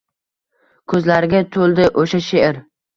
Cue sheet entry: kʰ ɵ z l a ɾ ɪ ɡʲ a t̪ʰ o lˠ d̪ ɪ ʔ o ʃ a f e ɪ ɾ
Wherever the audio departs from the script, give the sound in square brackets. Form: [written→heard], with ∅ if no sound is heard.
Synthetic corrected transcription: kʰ ɵ z l a ɾ ɪ ɡʲ a t̪ʰ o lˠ d̪ ɪ ʔ o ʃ a [f→ʃ] e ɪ ɾ